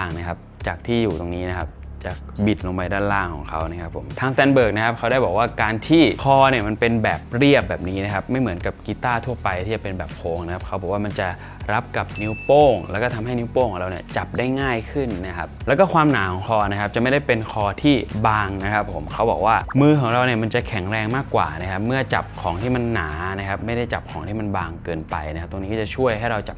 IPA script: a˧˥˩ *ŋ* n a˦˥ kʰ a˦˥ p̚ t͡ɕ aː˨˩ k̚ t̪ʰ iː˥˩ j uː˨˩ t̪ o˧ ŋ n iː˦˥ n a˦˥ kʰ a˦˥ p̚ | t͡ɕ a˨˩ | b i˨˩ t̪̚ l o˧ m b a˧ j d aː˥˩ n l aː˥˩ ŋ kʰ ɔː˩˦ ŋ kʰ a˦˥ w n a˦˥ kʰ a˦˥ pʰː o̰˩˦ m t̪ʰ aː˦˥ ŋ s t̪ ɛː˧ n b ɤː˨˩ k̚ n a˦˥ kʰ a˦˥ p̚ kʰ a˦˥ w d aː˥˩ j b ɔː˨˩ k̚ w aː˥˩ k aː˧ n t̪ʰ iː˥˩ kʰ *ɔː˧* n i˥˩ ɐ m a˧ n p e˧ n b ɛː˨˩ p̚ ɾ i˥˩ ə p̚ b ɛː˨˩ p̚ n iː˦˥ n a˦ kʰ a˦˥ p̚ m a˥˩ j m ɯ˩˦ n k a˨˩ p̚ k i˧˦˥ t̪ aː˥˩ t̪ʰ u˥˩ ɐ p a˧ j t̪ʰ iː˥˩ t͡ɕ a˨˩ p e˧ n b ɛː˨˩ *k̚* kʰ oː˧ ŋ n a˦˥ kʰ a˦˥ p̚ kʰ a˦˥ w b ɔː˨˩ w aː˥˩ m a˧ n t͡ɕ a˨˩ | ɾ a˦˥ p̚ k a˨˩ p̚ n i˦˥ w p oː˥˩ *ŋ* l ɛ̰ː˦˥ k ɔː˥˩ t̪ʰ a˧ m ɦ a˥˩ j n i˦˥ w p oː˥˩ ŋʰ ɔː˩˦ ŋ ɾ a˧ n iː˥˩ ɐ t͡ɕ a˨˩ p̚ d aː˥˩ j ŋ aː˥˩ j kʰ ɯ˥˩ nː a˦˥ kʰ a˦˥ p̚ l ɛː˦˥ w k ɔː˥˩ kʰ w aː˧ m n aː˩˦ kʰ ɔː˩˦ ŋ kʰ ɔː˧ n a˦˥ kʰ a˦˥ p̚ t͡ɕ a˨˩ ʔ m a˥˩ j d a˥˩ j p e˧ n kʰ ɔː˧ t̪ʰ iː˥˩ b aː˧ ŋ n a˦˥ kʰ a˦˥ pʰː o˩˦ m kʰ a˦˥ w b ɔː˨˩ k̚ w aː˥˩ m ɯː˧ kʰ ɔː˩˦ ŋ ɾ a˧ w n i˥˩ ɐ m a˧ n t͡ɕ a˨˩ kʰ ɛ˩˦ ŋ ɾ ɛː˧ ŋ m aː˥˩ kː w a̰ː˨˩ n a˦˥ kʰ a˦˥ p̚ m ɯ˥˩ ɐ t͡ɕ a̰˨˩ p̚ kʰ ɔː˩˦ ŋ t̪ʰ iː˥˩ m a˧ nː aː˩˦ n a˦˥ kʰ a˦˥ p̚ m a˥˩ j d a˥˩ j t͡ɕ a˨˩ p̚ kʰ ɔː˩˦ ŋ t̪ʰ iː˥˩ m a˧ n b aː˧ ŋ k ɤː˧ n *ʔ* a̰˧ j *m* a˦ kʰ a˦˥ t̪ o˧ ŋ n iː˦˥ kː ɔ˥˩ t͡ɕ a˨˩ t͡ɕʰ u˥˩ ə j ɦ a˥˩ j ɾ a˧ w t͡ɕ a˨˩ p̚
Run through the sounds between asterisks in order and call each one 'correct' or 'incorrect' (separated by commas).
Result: correct, correct, incorrect, correct, incorrect, incorrect